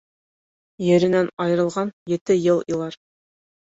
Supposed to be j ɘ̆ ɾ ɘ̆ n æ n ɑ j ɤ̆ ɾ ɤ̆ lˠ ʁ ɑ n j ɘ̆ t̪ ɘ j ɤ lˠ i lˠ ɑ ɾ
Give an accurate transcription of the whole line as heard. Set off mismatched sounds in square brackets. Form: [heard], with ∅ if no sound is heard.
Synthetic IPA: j ɘ̆ ɾ ɘ̆ n æ n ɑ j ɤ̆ ɾ ɤ̆ lˠ ʁ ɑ n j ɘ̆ t̪ ɘ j ɤ lˠ i lˠ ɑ ɾ